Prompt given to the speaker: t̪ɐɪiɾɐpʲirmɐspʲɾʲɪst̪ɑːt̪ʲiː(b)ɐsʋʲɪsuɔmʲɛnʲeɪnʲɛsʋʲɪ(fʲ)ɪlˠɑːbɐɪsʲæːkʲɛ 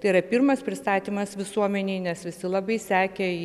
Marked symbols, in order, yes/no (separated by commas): no, no